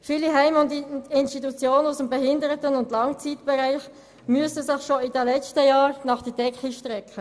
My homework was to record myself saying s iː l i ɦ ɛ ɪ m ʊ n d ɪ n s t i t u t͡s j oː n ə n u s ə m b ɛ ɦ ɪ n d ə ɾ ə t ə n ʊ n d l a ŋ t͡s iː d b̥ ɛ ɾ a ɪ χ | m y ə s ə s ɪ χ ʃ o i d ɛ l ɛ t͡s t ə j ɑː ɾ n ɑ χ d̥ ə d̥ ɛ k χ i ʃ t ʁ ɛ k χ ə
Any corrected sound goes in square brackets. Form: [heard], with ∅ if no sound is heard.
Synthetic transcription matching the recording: [f] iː l i ɦ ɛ ɪ m ʊ n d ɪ n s t i t u t͡s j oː n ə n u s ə m b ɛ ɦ ɪ n d ə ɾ ə t ə n ʊ n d l [ɑ] ŋ t͡s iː [t] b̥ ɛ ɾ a ɪ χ | m y ə s ə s ɪ χ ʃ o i d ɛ l ɛ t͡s t ə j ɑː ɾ n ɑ χ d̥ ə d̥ ɛ k χ i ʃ t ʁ ɛ k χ ə